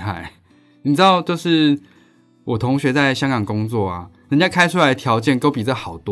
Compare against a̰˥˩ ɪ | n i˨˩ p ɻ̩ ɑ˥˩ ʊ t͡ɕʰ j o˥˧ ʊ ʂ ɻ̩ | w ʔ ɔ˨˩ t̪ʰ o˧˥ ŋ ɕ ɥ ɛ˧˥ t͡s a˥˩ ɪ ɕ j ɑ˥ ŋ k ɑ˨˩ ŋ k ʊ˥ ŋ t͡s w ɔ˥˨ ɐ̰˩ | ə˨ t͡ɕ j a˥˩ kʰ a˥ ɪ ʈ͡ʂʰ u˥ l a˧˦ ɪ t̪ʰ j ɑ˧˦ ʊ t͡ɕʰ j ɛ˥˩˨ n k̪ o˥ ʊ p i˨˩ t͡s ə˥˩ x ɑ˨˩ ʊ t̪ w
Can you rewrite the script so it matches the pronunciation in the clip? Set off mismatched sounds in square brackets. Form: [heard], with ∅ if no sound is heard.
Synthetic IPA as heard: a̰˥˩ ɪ | n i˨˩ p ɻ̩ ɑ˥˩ ʊ [t͡ɕ] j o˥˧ ʊ ʂ ɻ̩ | w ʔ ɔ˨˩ t̪ʰ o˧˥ ŋ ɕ ɥ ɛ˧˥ t͡s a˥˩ ɪ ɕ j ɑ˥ ŋ k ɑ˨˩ ŋ k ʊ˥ ŋ t͡s w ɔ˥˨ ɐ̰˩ | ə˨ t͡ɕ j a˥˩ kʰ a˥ ɪ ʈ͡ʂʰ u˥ l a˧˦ ɪ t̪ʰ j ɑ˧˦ ʊ [t͡ɕ] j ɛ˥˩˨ n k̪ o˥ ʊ p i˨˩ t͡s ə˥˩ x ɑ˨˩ ʊ t̪ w